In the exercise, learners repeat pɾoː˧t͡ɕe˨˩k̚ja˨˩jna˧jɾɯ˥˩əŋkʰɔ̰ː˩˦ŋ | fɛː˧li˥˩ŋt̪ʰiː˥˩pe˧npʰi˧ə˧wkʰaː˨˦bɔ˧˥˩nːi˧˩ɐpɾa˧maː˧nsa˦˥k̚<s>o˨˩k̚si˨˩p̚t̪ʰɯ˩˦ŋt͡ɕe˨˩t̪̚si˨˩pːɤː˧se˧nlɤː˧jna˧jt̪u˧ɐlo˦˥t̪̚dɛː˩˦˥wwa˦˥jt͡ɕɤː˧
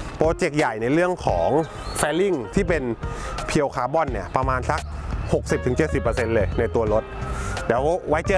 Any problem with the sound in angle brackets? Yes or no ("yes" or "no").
yes